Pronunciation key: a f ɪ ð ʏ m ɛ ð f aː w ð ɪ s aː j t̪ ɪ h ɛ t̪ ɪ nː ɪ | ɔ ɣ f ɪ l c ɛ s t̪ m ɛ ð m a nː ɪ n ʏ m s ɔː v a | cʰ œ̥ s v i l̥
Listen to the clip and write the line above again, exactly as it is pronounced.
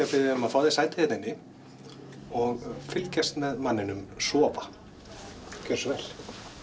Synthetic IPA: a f ɪ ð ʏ m a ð f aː w ð ɪ s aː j t̪ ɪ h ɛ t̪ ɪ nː ɪ | ɔ ɣ f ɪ l c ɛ s t̪ m ɛ ð m a nː ɪ n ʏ m s ɔː v a | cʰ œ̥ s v ɛ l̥